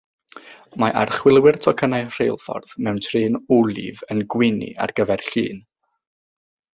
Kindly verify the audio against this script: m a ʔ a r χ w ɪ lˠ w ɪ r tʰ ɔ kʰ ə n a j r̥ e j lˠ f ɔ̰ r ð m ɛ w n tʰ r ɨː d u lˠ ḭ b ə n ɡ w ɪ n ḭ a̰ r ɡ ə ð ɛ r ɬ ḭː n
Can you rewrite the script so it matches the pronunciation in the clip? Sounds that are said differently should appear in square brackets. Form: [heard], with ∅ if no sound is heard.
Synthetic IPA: m a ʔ a r χ w ɪ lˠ w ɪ r tʰ ɔ kʰ ə n a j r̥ e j lˠ f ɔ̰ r ð m ɛ w n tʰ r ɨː [n] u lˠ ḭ [v] ə n ɡ w ɪ n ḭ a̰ r ɡ ə [v] ɛ r ɬ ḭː n

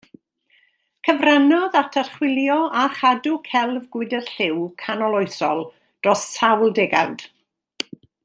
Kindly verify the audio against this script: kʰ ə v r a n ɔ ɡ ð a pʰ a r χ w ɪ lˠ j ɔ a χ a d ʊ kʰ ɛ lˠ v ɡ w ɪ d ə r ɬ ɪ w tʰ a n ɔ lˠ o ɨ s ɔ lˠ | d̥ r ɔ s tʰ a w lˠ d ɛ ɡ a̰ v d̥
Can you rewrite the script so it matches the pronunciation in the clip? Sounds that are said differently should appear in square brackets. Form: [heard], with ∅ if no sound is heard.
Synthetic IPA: kʰ ə v r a n ɔ [∅] ð a [tʰ] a r χ w ɪ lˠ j ɔ a χ a d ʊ kʰ ɛ lˠ v ɡ w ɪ d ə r ɬ ɪ w [kʰ] a n ɔ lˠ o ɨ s ɔ lˠ | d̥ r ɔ s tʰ a w lˠ d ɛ ɡ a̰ [w] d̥

